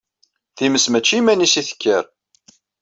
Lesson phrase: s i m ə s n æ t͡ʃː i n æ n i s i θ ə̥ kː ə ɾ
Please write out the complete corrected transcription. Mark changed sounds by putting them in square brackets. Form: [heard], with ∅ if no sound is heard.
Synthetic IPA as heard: [θ] i m ə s [m] æ t͡ʃː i [m] æ n i s i θ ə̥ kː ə ɾ

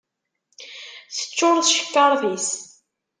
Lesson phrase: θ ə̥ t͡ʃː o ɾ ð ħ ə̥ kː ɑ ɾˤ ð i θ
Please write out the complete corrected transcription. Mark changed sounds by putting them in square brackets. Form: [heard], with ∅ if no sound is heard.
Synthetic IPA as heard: θ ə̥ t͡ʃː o ɾ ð [ʃ] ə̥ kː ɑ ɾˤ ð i [s]

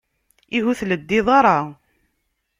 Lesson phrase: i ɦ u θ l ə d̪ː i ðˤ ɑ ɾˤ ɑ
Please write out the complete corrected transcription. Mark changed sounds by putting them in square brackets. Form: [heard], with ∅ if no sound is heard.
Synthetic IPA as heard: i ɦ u θ l ə d̪ː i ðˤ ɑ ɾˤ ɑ

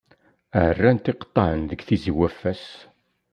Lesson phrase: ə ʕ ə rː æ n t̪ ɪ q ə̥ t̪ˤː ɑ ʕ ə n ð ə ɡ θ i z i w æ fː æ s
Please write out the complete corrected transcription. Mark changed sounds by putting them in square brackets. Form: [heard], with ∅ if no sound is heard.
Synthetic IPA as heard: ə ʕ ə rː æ n t̪ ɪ q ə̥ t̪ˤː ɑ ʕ ə n ð ə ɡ θ i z i w æ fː æ s

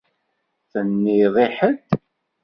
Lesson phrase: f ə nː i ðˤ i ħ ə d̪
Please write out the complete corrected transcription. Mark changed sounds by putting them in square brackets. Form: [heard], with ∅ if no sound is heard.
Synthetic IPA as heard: [θ] ə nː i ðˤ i ħ ə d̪

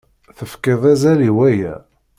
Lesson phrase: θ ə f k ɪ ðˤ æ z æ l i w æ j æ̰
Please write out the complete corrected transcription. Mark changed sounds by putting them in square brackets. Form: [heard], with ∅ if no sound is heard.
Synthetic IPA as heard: θ ə f k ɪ ðˤ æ z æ l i w æ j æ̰

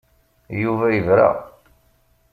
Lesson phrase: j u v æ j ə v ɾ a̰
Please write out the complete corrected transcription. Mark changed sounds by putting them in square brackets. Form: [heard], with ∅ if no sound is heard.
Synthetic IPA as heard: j u v æ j ə v ɾ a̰

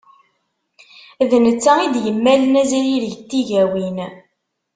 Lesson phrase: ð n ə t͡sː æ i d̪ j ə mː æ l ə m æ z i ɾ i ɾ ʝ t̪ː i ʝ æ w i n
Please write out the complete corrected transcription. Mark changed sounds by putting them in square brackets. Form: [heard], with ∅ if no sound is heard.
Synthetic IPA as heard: ð n ə t͡sː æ i d̪ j ə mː æ l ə [n] æ z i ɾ i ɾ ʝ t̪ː i ʝ æ w i n

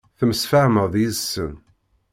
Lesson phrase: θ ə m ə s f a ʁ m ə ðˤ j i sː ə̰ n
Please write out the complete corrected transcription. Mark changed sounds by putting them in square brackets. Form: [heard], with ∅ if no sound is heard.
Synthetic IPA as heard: θ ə m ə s f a [ʕ] m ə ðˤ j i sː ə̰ n

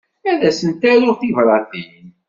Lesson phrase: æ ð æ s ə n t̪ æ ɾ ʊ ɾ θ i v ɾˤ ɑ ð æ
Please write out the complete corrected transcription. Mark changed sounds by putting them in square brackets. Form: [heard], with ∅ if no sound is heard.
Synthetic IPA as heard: æ ð æ s ə n t̪ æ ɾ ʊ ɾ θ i v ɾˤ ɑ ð [i]

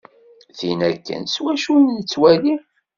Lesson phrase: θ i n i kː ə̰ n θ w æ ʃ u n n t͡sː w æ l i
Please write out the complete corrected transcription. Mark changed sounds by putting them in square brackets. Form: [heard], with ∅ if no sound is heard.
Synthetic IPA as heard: θ i n [æ] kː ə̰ n [s] w æ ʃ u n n t͡sː w æ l i

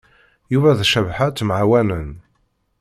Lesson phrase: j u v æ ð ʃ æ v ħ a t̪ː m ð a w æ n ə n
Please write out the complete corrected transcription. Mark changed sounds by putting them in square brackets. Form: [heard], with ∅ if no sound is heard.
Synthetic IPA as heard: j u v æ ð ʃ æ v ħ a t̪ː m [ʕ] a w æ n ə n

